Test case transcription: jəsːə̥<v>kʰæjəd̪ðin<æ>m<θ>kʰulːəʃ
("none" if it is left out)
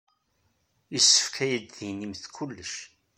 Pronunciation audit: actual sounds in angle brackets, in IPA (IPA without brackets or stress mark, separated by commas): f, i, θ